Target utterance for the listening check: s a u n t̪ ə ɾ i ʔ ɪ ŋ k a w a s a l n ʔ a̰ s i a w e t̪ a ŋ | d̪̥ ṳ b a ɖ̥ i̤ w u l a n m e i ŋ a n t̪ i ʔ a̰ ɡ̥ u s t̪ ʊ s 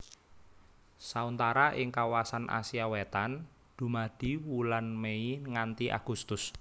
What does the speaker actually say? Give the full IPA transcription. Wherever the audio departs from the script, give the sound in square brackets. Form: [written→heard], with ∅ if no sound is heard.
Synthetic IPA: s a u n t̪ [ə→a] ɾ [i→a] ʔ ɪ ŋ k a w a s a [l→∅] n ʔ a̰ s i a w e t̪ a [ŋ→n] | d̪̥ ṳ [b→m] a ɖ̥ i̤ w u l a n m e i ŋ a n t̪ i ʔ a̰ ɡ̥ u s t̪ ʊ s